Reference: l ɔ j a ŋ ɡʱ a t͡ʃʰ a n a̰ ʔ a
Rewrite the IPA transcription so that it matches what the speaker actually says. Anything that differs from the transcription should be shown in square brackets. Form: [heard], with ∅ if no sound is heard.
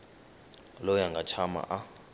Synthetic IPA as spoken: l ɔ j a ŋ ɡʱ a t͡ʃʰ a [m] a̰ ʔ a